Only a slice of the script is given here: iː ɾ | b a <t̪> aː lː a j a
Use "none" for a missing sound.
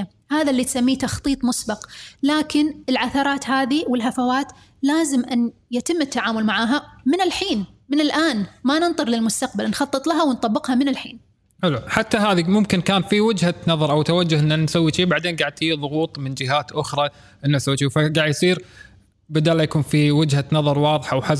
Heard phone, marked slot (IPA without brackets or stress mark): d̪